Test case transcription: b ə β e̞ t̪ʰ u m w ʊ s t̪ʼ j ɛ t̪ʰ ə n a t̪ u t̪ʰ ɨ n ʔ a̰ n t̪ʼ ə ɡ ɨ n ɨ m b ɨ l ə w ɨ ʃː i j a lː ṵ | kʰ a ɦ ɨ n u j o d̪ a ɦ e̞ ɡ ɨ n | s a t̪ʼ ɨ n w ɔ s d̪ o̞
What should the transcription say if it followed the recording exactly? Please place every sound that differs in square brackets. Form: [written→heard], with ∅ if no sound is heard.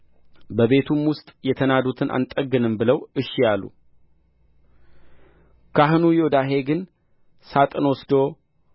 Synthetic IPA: b ə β e̞ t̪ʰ u m w ʊ s t̪ʼ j ɛ t̪ʰ ə n a [t̪→d̪] u t̪ʰ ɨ n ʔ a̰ n t̪ʼ ə ɡ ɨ n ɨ m b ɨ l ə w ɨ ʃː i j a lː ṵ | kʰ a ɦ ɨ n u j o d̪ a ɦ e̞ ɡ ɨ n | s a t̪ʼ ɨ n w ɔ s d̪ o̞